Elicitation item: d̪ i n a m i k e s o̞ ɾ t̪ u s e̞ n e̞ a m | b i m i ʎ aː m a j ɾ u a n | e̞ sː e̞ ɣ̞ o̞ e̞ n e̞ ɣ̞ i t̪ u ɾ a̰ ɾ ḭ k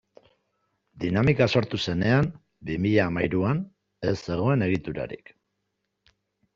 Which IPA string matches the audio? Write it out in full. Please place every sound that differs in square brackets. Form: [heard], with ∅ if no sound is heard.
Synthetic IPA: d̪ i n a m i k [a] s o̞ ɾ t̪ u s e̞ n e̞ a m | b i m i ʎ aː m a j ɾ u a n | e̞ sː e̞ ɣ̞ o̞ e̞ n e̞ ɣ̞ i t̪ u ɾ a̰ ɾ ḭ k